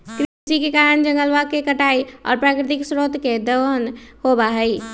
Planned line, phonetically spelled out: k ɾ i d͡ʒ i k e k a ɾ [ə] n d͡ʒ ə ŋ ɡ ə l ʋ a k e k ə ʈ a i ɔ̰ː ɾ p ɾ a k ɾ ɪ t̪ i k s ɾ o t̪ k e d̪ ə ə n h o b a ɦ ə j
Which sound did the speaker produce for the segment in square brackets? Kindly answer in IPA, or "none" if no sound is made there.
ə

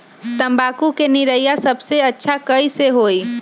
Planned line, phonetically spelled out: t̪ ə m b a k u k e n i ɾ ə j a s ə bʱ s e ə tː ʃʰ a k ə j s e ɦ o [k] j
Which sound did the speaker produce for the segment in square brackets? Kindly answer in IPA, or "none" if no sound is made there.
none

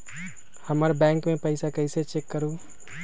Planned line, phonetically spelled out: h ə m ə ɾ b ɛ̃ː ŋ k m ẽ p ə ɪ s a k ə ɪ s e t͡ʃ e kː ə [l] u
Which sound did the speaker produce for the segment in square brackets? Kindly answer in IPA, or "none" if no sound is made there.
ɾ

